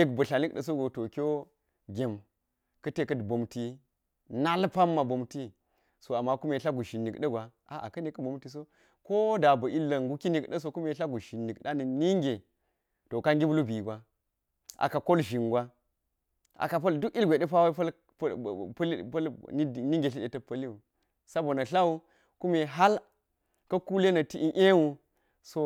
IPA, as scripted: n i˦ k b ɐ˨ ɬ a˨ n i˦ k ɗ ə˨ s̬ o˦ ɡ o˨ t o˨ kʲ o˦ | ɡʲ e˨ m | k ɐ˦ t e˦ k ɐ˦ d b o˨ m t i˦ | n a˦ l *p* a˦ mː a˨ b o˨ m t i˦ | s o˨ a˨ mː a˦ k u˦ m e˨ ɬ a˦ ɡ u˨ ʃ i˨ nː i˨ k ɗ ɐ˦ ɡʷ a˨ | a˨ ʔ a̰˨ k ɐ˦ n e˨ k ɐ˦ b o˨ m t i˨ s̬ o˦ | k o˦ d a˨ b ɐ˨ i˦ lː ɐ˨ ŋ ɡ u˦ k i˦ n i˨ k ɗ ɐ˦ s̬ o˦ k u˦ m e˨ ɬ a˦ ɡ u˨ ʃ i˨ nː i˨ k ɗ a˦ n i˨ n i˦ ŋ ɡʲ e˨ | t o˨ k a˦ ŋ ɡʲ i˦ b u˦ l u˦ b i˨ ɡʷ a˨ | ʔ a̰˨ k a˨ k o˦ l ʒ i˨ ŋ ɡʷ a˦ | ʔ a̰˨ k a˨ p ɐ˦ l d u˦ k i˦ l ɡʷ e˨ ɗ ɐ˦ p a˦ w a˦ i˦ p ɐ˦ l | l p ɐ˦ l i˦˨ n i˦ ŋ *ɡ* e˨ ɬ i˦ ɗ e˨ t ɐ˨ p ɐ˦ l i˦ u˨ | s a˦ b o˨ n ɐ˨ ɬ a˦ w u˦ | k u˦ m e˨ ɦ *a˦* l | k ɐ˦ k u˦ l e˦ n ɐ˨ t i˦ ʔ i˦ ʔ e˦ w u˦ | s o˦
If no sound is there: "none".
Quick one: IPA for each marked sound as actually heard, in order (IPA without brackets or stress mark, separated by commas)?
p, ɡ, a˦